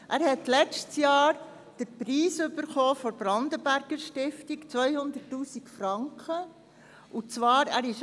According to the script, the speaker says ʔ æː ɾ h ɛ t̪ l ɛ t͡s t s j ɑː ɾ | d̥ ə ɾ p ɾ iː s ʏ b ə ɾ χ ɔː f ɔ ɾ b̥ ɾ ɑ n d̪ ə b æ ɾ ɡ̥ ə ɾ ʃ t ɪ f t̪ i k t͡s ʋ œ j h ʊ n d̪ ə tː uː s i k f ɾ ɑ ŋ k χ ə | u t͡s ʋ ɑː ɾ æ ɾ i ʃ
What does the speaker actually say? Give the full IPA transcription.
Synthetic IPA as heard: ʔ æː ɾ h ɛ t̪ l ɛ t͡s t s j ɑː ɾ | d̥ ə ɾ p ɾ iː s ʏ b ə ɾ χ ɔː f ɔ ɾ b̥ ɾ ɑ n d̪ ə b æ ɾ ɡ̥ ə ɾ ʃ t ɪ f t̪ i k t͡s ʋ œ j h ʊ n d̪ ə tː uː s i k f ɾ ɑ ŋ k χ ə | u t͡s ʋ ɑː ɾ æ ɾ ɪ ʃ